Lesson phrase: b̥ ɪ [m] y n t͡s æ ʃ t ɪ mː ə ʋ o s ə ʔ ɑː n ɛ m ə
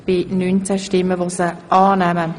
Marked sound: incorrect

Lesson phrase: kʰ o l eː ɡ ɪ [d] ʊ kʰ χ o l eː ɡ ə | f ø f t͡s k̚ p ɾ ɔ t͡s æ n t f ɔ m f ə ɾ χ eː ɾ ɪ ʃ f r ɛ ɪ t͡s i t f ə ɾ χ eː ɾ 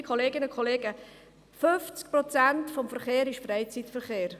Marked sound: incorrect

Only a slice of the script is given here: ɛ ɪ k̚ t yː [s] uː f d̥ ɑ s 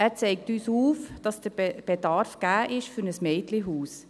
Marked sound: correct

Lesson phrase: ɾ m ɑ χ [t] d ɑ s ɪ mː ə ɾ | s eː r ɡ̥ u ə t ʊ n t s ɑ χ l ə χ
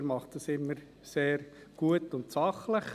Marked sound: correct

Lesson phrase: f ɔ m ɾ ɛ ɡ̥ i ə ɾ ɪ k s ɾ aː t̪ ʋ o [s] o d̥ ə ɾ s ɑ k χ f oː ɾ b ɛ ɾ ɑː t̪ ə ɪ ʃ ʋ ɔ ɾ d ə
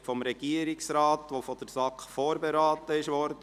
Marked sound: incorrect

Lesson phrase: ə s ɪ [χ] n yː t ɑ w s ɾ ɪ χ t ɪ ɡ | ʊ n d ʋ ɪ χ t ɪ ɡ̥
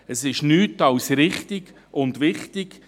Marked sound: incorrect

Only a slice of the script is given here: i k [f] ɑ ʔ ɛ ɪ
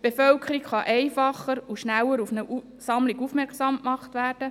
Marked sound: incorrect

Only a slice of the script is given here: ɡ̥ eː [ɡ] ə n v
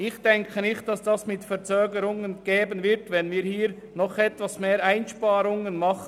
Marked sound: incorrect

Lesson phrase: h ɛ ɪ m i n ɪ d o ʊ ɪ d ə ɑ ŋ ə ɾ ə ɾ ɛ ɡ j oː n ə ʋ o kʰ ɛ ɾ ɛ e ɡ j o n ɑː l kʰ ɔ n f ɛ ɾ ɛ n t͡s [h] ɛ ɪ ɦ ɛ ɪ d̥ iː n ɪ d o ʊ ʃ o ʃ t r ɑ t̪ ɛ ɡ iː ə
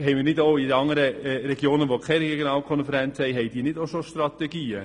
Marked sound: correct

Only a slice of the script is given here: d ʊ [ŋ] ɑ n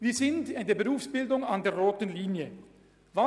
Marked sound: correct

